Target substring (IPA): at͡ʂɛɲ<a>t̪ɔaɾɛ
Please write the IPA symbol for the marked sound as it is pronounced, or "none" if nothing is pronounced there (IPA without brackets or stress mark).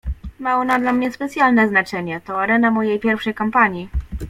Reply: ɛ